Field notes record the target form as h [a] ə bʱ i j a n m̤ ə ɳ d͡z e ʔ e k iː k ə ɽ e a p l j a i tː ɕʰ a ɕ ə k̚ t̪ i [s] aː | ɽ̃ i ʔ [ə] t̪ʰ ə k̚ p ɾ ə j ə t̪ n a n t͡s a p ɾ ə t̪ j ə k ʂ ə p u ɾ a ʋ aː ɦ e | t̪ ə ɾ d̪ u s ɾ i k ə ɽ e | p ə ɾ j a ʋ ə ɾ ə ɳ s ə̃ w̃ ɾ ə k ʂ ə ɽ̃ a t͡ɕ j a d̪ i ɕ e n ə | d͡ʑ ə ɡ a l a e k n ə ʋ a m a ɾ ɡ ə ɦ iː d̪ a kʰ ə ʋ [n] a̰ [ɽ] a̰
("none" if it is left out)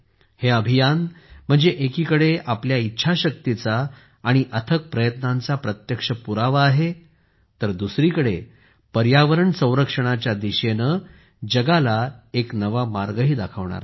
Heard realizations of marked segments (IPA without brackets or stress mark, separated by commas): e, t͡s, ə, ɳ, ɾ